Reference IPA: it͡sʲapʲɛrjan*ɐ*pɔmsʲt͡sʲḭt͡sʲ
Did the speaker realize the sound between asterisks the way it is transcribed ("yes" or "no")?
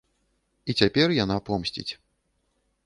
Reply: no